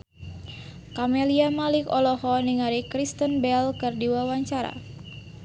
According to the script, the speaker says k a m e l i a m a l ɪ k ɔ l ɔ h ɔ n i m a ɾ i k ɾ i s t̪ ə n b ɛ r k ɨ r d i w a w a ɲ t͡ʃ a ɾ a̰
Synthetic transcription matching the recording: k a m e l i a m a l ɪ k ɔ l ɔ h ɔ n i ŋ a ɾ i k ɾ i s t̪ ə n b ɛ l k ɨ r d i w a w a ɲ t͡ʃ a ɾ a̰